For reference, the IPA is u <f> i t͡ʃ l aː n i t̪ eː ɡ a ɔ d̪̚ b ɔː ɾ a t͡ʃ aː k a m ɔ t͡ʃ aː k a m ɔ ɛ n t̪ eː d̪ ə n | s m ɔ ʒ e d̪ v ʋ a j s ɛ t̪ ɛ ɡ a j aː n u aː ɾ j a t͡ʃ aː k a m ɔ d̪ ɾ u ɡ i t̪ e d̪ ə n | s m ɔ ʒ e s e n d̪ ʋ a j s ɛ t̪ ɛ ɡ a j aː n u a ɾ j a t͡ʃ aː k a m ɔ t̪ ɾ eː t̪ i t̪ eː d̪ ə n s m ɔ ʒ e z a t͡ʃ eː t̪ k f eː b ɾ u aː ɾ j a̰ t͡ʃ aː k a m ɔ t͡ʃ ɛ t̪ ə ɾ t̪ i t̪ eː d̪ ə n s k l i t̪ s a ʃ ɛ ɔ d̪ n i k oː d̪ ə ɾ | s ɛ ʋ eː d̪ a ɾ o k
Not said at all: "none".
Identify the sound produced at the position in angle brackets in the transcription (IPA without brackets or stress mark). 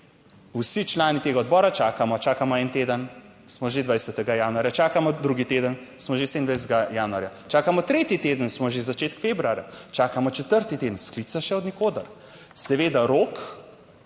s